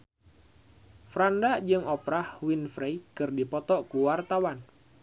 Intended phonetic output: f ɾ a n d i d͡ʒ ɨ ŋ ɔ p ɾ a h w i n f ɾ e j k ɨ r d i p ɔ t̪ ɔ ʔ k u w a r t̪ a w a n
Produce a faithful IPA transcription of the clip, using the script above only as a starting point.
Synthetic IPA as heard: f ɾ a n d a d͡ʒ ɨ ŋ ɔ p ɾ a h w i n f ɾ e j k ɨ r d i p ɔ t̪ ɔ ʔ k u w a r t̪ a w a n